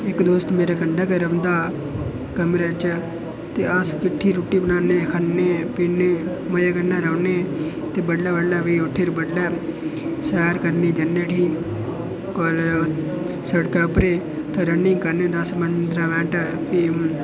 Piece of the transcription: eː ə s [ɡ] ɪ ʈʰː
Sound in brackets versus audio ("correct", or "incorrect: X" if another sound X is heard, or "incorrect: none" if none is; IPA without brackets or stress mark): incorrect: k